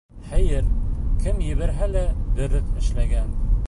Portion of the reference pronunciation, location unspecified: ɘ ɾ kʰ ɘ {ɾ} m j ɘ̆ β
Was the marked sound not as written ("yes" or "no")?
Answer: yes